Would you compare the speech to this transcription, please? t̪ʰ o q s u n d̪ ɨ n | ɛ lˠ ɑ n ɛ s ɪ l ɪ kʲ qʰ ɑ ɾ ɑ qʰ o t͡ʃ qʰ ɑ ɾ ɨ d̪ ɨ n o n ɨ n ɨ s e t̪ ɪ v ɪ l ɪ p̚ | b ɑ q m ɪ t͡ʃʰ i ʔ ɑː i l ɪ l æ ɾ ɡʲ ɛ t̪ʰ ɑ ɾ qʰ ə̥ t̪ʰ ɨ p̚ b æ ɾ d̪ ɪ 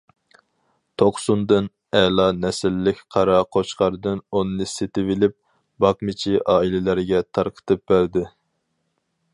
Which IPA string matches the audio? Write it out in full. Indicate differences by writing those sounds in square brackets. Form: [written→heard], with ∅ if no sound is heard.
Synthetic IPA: t̪ʰ o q s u n d̪ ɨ n | ɛ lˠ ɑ n ɛ s ɪ [l→lː] ɪ kʲ qʰ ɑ ɾ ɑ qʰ o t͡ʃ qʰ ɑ ɾ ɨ d̪ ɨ n o n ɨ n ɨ s e t̪ ɪ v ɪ l ɪ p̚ | b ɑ q m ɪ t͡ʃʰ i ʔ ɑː i l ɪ l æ ɾ ɡʲ ɛ t̪ʰ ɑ ɾ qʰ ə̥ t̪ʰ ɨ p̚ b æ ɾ d̪ ɪ